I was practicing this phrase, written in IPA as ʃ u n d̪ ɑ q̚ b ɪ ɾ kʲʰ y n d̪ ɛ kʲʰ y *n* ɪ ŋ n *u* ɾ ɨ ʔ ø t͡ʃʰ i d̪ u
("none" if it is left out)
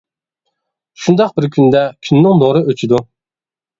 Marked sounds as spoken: nː, o

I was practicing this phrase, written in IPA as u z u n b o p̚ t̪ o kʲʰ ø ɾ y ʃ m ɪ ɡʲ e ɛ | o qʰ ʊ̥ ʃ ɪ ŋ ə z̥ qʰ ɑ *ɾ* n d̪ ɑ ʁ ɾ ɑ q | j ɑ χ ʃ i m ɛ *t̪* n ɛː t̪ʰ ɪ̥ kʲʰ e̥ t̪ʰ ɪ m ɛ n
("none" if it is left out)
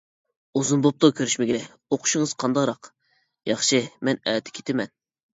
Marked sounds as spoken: none, none

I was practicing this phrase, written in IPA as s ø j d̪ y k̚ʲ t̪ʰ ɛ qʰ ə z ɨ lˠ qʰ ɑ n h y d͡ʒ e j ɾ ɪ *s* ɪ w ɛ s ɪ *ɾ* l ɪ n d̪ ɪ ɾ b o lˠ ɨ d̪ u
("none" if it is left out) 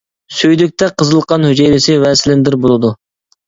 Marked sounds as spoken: s, none

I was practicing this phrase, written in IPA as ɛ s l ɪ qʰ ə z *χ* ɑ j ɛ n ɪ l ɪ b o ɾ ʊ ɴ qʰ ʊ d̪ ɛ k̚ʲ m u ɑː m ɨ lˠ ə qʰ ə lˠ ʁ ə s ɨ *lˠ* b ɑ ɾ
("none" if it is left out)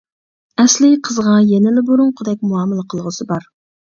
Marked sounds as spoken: ʁ, none

